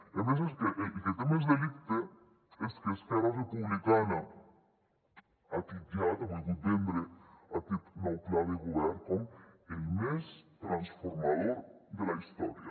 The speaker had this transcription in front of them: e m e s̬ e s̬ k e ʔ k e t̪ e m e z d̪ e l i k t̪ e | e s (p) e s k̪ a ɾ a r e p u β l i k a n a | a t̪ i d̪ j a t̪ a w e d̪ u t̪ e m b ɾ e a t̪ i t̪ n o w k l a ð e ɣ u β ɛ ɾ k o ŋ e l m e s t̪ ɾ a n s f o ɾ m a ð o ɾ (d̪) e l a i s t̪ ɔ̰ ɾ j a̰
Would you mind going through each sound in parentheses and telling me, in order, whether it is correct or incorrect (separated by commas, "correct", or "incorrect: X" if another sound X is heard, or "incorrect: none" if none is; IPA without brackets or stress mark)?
incorrect: k, correct